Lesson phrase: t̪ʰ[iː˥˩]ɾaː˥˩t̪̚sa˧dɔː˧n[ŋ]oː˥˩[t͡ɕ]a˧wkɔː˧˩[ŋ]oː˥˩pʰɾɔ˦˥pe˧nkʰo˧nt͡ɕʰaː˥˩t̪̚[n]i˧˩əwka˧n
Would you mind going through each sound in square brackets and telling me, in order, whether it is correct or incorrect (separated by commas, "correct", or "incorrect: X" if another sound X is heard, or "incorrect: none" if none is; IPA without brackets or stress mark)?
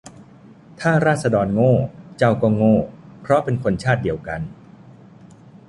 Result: incorrect: aː˥˩, correct, correct, correct, incorrect: d